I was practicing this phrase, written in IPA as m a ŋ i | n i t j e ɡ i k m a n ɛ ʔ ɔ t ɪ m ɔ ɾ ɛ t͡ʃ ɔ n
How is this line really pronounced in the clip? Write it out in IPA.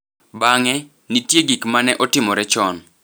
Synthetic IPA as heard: b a ŋ ɛ | n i t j e ɡ i k m a n ɛ ʔ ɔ t ɪ m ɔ ɾ ɛ t͡ʃ ɔ n